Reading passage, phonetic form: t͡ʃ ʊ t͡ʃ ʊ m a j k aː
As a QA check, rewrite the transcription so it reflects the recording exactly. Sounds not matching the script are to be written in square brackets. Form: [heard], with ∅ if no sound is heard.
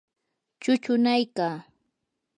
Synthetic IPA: t͡ʃ ʊ t͡ʃ ʊ [n] a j k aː